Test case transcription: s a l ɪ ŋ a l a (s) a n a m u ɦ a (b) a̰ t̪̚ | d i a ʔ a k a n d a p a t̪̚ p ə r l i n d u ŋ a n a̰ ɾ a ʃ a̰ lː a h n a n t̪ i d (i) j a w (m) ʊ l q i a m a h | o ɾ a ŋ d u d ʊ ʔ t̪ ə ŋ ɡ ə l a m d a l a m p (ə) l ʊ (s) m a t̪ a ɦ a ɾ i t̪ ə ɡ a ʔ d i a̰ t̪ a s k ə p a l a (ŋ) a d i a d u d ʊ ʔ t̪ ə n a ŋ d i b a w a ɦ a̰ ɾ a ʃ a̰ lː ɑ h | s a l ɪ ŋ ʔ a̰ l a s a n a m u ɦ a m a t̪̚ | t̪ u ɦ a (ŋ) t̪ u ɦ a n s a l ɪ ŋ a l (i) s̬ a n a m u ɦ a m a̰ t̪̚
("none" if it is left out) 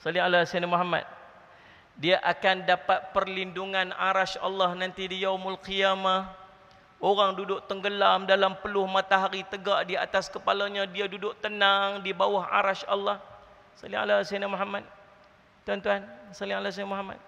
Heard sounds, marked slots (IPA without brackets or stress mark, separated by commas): s, m, i, m, ə, h, ɲ, n, a